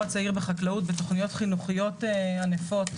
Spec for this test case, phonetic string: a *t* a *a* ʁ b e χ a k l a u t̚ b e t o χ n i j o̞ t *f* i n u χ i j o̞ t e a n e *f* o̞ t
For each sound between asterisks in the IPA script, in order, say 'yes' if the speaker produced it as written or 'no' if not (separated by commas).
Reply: no, no, no, yes